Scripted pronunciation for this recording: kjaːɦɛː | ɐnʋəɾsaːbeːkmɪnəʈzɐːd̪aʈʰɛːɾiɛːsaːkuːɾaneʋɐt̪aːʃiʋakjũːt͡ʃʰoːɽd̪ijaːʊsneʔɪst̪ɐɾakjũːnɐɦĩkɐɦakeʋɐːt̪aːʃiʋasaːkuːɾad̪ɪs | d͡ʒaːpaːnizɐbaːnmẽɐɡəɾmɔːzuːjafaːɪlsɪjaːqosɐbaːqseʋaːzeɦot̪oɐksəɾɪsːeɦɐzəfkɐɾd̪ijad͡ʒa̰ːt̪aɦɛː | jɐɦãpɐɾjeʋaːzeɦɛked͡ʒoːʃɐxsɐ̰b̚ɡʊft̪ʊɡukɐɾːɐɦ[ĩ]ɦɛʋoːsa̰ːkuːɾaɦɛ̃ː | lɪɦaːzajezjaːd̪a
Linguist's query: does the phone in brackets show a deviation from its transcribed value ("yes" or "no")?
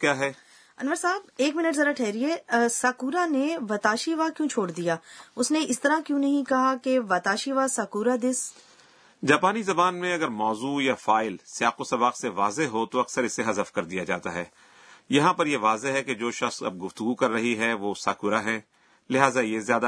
yes